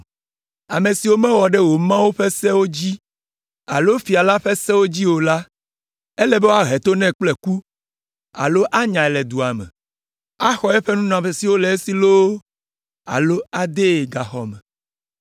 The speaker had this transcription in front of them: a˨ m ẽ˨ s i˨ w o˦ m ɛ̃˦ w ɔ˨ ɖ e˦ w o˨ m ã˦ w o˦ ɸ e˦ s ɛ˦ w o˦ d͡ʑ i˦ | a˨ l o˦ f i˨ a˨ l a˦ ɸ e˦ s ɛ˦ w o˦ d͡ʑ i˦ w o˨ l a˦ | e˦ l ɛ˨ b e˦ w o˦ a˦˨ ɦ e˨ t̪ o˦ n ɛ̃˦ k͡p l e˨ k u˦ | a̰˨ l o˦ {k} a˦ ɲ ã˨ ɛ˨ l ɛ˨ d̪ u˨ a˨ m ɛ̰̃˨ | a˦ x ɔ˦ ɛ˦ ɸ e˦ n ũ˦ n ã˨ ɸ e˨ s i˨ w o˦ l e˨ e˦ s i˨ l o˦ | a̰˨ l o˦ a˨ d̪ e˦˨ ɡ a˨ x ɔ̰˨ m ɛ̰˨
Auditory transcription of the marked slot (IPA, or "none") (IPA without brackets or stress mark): ʔ